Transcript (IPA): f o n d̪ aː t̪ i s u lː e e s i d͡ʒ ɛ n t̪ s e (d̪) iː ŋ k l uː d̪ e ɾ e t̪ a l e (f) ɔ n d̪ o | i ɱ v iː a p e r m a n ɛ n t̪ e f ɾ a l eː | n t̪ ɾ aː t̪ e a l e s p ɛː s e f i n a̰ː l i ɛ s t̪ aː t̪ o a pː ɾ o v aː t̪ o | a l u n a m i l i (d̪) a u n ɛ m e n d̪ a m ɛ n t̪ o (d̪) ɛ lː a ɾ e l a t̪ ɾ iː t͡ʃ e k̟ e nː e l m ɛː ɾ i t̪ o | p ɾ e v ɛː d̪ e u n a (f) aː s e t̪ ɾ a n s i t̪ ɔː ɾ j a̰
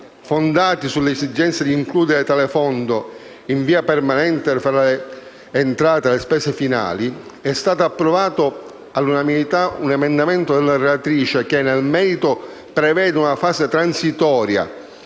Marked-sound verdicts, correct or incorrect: correct, correct, incorrect: t̪, correct, correct

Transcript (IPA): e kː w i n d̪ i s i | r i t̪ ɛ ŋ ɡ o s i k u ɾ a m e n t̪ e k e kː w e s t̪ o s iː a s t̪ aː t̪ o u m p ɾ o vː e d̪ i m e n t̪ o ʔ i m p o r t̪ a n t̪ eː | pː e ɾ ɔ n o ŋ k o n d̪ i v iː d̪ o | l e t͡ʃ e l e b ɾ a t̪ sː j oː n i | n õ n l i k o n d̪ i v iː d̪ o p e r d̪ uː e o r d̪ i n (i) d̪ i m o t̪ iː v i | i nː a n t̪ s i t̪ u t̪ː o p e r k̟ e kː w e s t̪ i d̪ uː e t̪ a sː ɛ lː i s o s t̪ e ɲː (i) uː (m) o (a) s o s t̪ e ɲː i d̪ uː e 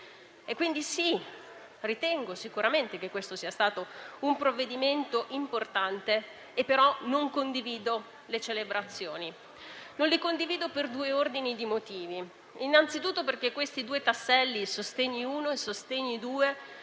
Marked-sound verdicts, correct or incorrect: correct, correct, incorrect: n, incorrect: e

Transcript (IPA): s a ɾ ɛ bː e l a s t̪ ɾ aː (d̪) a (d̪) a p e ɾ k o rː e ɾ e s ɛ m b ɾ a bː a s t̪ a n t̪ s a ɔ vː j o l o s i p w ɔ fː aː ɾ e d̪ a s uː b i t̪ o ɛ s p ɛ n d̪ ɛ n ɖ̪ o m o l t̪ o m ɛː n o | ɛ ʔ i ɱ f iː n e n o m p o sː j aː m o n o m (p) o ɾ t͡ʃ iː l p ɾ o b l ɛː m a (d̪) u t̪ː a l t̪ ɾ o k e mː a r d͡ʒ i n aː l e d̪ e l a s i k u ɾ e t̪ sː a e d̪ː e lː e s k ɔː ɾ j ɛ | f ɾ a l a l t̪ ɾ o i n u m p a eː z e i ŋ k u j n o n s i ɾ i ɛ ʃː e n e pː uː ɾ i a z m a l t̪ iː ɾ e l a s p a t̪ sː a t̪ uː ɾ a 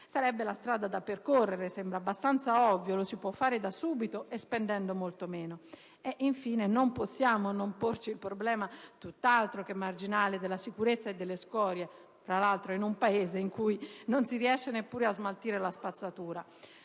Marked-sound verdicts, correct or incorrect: correct, correct, correct, incorrect: t̪

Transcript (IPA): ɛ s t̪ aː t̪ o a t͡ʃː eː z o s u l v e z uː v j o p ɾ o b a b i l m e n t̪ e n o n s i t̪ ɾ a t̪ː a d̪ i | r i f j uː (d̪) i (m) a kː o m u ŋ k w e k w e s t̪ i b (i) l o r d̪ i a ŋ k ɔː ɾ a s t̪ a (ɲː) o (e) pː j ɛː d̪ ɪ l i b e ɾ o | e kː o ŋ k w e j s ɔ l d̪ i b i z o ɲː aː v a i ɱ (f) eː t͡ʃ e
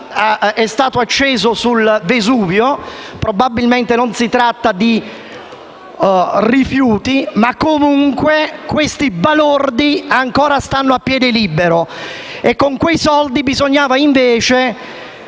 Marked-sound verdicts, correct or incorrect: incorrect: t̪, correct, incorrect: a, incorrect: nː, incorrect: a, incorrect: v

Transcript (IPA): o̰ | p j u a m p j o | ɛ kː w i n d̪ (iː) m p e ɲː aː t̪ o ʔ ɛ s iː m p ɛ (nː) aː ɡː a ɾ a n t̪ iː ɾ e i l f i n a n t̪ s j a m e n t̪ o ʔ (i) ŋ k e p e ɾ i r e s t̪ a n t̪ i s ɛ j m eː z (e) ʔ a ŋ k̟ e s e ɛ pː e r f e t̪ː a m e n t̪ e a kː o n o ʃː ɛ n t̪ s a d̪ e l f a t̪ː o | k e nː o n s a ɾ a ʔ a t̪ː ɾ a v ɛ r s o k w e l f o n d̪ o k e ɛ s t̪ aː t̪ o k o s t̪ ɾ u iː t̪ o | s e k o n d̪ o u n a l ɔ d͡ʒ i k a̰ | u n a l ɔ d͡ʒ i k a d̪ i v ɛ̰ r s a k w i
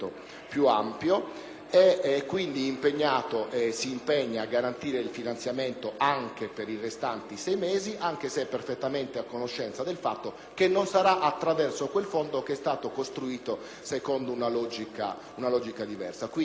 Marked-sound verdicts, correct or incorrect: correct, incorrect: ɲː, incorrect: a, incorrect: i

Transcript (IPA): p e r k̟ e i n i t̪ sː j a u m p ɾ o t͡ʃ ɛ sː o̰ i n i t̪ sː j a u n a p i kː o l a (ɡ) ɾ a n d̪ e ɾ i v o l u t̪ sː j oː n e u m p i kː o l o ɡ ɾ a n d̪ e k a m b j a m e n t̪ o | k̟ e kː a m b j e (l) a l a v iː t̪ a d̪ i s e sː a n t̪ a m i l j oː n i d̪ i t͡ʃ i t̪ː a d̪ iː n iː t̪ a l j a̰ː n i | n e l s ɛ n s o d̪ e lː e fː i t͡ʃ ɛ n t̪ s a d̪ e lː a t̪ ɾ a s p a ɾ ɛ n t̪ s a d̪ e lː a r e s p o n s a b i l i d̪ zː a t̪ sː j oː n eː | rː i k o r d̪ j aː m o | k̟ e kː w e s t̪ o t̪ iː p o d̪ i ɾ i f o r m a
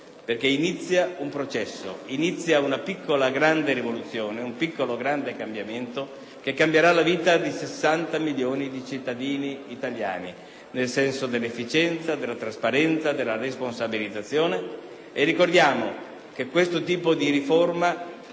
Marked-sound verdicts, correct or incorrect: correct, incorrect: ɾ

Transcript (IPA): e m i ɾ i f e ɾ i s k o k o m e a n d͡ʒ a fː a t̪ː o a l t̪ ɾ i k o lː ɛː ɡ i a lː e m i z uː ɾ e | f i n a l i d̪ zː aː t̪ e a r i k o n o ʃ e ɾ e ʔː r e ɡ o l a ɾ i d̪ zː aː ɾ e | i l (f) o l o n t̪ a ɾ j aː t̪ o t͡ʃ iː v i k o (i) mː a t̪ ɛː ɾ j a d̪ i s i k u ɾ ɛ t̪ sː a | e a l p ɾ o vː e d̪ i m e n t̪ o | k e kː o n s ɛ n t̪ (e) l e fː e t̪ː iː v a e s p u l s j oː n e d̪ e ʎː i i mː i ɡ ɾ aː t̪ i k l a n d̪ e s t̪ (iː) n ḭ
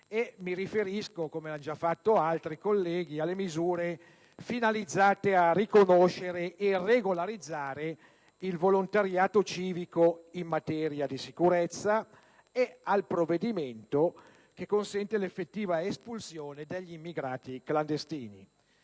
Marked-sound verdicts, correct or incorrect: incorrect: v, correct, correct, correct

